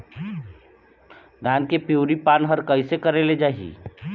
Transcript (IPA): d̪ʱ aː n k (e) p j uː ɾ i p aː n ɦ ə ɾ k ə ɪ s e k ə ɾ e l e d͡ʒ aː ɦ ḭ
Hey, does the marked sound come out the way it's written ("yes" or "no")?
yes